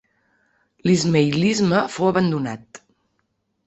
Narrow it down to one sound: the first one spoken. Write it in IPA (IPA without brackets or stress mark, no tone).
l